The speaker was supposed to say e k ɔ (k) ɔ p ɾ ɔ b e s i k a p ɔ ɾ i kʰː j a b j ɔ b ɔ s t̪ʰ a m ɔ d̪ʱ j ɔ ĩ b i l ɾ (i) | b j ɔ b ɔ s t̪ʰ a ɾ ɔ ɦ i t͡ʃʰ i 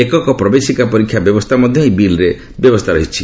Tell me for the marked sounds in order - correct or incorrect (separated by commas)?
correct, incorrect